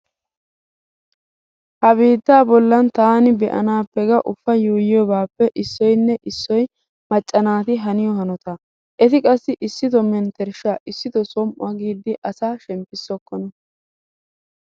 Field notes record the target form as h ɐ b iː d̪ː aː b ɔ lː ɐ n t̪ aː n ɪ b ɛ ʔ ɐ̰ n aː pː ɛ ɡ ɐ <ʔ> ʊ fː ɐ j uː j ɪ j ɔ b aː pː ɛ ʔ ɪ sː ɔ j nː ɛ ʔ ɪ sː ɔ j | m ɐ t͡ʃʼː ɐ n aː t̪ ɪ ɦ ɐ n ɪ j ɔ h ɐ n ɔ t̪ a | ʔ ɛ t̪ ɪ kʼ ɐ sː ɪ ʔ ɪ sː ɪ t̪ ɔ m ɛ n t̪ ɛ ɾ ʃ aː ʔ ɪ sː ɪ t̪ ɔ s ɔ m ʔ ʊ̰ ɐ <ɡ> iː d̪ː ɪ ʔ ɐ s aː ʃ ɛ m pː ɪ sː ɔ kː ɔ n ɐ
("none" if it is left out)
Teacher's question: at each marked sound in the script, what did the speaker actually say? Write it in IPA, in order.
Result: ʔ, ɡ

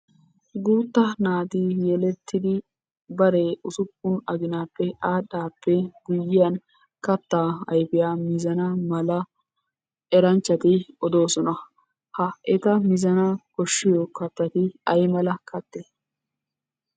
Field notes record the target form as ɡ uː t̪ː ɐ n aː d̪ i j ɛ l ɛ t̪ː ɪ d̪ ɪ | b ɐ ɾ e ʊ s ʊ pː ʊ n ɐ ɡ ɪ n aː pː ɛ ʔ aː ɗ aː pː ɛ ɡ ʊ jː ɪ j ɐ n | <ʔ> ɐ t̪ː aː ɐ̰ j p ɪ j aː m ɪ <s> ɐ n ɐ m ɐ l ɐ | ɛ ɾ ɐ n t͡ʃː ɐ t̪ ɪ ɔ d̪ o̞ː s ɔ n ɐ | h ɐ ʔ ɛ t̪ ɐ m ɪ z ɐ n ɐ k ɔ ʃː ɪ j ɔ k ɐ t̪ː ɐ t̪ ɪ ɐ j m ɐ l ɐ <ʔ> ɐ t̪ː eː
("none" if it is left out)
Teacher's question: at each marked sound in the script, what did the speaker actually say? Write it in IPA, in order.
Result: k, z, k

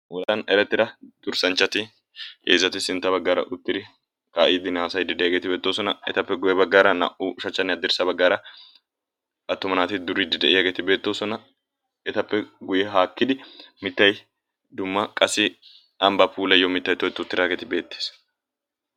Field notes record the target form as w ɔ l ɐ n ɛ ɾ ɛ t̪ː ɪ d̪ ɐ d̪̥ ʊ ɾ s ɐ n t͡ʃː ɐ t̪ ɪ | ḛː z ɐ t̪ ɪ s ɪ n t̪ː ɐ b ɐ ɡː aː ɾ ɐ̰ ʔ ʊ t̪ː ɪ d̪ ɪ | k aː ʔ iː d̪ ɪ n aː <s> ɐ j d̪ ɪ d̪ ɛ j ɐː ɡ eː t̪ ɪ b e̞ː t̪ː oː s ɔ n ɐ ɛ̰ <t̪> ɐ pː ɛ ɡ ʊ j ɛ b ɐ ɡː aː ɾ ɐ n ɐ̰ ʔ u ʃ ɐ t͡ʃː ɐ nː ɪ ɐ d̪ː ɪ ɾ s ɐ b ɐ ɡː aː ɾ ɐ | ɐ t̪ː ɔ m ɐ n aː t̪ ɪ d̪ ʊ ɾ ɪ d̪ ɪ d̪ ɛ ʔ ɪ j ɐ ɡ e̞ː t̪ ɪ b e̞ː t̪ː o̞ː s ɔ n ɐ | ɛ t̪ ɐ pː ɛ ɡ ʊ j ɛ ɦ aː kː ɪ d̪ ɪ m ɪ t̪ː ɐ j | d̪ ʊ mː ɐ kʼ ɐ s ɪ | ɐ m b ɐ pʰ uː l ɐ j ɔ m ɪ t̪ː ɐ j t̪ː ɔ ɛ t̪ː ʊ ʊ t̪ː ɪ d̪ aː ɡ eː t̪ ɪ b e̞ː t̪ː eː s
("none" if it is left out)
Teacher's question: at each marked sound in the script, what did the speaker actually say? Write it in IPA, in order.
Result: s, t̪

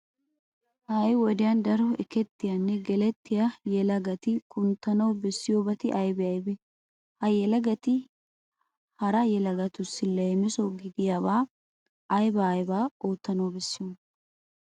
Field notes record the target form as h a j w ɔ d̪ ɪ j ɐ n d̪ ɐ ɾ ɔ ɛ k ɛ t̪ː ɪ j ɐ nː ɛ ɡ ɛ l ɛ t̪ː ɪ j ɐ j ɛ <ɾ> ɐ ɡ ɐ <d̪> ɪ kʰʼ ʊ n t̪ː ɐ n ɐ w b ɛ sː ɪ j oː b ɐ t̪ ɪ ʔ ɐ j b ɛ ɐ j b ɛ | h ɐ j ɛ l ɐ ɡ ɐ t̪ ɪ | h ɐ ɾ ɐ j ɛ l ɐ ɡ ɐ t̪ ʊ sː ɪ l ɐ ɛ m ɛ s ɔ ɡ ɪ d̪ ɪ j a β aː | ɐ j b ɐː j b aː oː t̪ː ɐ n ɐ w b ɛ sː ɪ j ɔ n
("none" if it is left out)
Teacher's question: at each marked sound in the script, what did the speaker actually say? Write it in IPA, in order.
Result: l, t̪

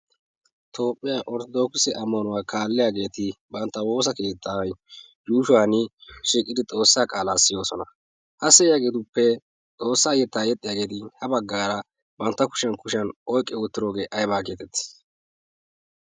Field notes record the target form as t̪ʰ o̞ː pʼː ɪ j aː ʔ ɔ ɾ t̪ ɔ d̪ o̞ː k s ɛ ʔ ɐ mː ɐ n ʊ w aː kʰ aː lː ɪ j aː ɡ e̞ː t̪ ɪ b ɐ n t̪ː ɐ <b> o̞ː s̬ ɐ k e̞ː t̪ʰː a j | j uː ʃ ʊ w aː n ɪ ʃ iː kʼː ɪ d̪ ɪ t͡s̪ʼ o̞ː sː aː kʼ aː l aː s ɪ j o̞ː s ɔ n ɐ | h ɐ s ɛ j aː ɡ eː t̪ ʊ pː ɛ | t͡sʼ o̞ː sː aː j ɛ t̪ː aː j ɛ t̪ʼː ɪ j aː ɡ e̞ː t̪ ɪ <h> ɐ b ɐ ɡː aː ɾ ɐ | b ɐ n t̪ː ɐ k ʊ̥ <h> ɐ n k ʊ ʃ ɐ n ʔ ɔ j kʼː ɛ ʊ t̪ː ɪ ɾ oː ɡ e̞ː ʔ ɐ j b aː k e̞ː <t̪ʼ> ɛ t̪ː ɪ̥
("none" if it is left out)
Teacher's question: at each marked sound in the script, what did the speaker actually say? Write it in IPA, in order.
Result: w, h, ʃ, t̪

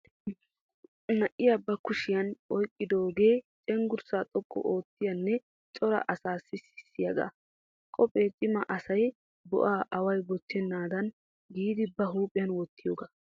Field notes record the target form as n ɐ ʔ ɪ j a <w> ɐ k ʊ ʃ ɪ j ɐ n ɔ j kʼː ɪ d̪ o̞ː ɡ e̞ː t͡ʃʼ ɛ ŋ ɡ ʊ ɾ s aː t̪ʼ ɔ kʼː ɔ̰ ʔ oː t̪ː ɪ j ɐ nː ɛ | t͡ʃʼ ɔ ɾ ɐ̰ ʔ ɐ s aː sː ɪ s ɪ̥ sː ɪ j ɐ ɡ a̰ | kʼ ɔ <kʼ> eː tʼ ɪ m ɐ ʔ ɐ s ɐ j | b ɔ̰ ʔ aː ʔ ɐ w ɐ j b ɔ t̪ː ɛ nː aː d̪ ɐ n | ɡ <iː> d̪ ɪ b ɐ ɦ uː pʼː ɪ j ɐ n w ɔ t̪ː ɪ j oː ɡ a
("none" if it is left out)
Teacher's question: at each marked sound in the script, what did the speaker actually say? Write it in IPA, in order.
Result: b, pʼ, iː

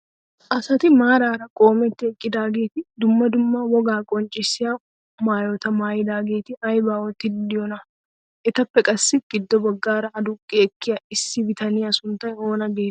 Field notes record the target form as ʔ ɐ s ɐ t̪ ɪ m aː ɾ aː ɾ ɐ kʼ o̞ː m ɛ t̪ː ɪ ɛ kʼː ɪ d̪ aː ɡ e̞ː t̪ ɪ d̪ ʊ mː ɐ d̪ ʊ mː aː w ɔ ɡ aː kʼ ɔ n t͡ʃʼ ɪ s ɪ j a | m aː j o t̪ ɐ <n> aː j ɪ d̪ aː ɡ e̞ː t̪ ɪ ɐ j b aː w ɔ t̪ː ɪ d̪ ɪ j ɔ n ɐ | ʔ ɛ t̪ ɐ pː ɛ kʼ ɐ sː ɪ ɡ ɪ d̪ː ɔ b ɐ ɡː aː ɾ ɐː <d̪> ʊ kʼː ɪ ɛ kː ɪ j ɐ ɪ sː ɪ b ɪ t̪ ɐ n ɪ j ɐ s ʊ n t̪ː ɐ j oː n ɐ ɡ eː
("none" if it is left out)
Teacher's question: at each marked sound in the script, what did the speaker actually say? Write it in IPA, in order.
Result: m, d̪

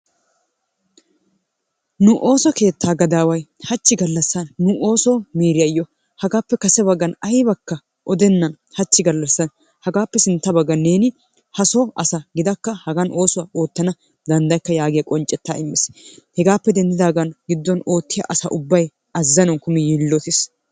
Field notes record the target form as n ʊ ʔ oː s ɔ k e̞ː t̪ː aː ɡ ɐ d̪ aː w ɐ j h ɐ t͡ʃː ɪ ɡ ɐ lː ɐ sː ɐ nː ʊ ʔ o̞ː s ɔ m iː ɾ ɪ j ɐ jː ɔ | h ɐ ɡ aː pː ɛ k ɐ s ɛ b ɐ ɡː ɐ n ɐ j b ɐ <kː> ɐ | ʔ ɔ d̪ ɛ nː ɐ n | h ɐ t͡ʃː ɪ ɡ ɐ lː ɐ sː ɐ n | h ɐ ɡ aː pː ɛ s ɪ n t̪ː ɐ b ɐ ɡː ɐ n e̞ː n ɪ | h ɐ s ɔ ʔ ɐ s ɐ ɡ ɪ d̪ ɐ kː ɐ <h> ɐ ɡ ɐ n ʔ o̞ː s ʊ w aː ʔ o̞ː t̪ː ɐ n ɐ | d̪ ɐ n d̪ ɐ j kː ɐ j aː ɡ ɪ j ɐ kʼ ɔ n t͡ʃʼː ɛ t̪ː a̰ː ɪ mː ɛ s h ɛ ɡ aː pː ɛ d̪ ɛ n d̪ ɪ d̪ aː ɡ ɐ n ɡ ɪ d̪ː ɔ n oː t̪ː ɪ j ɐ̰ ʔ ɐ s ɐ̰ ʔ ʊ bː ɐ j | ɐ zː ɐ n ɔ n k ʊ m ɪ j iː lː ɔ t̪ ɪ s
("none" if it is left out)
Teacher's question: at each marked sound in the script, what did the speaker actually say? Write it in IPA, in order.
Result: kː, h

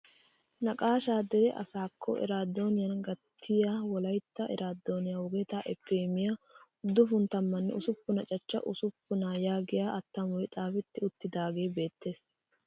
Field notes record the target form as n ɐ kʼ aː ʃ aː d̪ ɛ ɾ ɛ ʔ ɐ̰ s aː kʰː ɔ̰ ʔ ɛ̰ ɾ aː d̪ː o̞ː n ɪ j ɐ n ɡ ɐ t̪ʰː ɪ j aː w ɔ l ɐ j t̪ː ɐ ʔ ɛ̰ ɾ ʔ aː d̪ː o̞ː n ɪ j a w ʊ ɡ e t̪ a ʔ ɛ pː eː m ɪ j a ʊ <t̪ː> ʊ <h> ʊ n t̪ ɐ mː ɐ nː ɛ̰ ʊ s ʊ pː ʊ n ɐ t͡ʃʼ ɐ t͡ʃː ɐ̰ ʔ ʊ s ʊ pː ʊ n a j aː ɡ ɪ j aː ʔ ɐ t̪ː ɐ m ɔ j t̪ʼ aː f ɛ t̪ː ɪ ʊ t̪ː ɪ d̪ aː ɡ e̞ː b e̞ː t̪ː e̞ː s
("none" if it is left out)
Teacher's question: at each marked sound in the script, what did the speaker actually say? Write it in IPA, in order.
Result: d̪ː, f

